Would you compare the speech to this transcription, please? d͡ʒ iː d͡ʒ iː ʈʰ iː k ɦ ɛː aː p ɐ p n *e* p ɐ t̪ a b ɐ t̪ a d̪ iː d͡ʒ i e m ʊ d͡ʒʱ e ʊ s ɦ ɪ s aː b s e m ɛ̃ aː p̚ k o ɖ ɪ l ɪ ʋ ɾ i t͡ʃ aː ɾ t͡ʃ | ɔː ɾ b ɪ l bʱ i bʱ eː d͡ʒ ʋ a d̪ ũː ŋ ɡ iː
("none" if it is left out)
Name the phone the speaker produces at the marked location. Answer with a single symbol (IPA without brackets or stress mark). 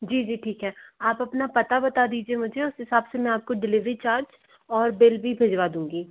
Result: a